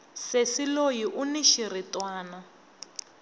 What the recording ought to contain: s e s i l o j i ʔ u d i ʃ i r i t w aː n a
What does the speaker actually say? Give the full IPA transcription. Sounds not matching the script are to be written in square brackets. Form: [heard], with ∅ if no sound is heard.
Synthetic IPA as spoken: s e s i l o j i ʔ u [n] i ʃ i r i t w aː n a